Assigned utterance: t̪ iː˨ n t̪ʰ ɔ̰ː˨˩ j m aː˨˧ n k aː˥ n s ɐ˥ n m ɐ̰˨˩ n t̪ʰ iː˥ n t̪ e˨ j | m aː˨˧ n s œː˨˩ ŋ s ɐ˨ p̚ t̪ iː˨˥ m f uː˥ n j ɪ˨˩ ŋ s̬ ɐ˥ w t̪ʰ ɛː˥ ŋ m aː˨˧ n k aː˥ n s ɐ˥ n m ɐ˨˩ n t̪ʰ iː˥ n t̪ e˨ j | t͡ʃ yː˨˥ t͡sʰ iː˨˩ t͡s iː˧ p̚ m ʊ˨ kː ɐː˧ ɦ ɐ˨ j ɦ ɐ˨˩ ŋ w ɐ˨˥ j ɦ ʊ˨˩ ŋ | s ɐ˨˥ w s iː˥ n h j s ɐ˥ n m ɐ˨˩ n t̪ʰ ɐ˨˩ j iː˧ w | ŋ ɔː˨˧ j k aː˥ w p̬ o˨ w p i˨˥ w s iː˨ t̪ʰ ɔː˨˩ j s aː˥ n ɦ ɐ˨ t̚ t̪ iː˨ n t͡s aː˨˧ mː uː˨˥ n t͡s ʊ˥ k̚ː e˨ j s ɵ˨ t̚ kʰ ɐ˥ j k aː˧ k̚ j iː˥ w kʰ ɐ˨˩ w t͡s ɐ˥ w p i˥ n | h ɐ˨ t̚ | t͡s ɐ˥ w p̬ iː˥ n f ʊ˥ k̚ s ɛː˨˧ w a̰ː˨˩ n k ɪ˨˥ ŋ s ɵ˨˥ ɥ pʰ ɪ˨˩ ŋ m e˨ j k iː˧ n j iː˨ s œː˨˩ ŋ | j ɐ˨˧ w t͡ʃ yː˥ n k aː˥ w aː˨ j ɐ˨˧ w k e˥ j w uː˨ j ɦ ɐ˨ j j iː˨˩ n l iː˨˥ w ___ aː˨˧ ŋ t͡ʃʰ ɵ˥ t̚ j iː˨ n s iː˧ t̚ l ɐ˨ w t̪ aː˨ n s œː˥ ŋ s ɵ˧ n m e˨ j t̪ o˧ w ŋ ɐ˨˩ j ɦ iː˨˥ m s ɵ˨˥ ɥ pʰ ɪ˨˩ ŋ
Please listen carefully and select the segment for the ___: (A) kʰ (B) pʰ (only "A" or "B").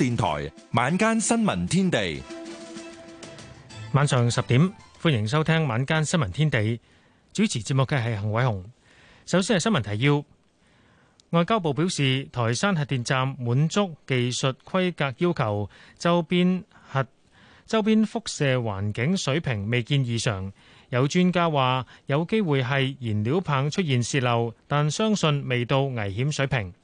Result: B